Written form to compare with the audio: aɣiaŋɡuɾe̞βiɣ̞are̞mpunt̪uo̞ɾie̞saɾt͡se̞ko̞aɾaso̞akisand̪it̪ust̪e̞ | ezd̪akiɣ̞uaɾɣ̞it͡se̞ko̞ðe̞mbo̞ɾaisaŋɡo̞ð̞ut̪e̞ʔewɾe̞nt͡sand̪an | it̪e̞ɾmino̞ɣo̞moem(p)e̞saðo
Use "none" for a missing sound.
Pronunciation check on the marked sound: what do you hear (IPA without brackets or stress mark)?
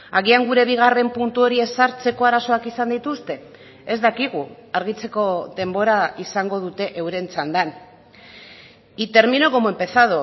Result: p